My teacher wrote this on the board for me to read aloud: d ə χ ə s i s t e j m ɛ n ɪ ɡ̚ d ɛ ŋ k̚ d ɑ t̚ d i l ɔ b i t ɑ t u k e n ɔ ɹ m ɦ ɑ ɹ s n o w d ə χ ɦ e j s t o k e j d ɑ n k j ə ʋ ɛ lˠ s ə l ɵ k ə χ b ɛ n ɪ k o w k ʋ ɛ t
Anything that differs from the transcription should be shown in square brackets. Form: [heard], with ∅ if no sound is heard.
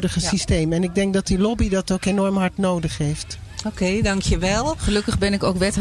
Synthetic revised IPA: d ə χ ə s i s t e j m ɛ n ɪ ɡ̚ d ɛ ŋ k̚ d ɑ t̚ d i l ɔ b i [d] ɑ t [o] k e n ɔ ɹ m ɦ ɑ ɹ [t] n o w d ə χ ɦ e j [f] t o k e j d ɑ [ŋ] k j ə ʋ ɛ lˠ [χ] ə l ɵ k ə χ b ɛ n ɪ k o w k ʋ ɛ t